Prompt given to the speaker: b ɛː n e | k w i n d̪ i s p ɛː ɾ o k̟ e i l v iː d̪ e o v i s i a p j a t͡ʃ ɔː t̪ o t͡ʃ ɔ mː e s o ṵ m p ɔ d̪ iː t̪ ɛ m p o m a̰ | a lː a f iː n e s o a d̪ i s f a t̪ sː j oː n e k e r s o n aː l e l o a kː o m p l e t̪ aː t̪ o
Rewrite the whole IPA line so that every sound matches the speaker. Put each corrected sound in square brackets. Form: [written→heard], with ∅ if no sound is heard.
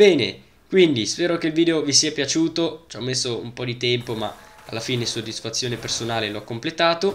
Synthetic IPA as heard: b ɛː n e | k w i n d̪ i s p ɛː ɾ o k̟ e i l v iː d̪ e o v i s i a p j a t͡ʃ [ɔː→uː] t̪ o t͡ʃ ɔ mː e [s→sː] o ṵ m p ɔ d̪ [iː→i] t̪ ɛ m p o m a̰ | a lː a f iː n e s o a d̪ i s f a t̪ sː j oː n e [k→p] e r s o n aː l e l o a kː o m p l e t̪ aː t̪ o